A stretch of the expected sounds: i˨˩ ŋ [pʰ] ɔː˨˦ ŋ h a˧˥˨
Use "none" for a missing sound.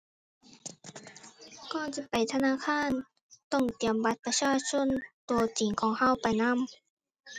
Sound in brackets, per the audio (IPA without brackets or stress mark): kʰ